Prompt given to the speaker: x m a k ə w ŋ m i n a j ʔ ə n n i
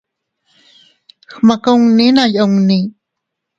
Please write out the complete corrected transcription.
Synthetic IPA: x m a k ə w ŋ n i n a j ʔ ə ŋ n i